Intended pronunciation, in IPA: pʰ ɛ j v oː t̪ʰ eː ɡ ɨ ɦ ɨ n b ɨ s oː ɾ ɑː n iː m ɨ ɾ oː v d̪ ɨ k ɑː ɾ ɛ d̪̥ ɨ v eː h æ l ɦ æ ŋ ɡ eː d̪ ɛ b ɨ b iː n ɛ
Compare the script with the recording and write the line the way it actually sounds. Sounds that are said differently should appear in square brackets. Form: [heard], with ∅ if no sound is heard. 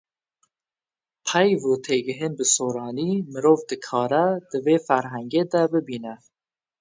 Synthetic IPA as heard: pʰ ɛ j v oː t̪ʰ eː ɡ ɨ ɦ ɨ n b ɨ s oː ɾ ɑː n iː m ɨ ɾ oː v d̪ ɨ [kʰ] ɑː ɾ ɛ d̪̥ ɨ v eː [f] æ [ɾ] ɦ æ ŋ ɡ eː d̪ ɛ b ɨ b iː n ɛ